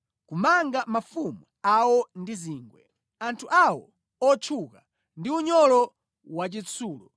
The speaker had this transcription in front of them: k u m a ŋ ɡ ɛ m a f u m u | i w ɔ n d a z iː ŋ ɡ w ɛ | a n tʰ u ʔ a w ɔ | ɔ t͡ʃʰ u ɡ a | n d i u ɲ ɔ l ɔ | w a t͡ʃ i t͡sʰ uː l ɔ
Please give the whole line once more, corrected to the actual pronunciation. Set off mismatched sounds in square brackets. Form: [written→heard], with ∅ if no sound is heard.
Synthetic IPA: k u m a ŋ ɡ [ɛ→a] m a f u m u | [i→a] w ɔ n d [a→i] z iː ŋ ɡ w ɛ | a n tʰ u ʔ a w ɔ | ɔ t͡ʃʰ u [ɡ→k] a | n d i u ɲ ɔ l ɔ | w a t͡ʃ i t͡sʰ uː l ɔ